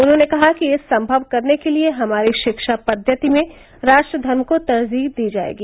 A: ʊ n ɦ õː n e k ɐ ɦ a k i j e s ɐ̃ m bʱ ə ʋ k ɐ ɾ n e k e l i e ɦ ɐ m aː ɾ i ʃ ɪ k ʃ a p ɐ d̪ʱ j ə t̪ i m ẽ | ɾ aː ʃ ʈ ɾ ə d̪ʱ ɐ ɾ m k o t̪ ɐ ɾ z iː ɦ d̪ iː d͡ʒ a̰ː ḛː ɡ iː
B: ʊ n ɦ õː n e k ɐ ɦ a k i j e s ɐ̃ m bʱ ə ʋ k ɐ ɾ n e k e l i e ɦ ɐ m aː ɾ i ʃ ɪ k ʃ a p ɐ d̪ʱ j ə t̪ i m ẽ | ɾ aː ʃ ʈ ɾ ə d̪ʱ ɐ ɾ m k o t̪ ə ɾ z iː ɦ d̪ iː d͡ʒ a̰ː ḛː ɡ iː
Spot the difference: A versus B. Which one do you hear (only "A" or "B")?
A